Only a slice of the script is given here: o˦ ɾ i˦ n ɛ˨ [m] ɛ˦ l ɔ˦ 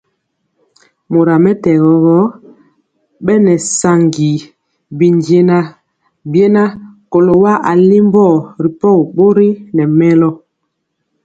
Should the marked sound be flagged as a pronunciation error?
no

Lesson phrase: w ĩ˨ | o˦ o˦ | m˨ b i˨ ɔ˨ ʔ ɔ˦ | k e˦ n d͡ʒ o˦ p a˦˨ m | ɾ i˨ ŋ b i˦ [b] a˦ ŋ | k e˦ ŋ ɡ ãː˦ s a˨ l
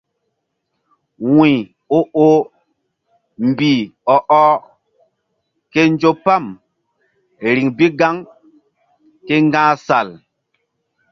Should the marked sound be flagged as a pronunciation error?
yes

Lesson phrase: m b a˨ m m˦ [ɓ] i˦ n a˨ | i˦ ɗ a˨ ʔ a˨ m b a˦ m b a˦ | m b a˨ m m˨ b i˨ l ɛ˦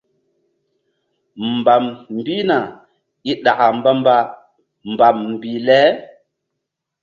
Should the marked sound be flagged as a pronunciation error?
yes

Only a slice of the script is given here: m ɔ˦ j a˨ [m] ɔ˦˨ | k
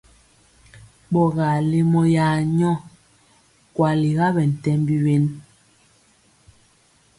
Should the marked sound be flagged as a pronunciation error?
yes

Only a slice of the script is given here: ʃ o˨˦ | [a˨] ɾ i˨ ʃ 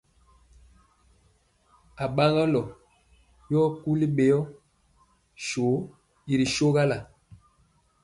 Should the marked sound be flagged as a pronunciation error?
yes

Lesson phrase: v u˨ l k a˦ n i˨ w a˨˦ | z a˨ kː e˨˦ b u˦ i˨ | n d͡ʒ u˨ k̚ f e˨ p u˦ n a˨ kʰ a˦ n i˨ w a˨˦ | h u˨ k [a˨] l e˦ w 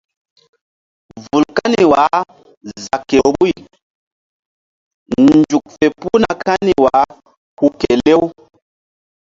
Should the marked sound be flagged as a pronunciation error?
yes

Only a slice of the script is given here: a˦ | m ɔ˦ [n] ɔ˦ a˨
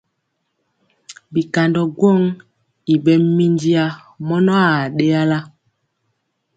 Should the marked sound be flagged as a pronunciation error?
no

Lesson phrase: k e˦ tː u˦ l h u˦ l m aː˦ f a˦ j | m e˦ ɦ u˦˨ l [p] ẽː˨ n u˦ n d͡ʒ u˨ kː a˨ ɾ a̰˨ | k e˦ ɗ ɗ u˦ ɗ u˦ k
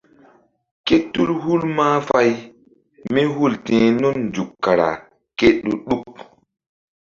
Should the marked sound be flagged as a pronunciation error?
yes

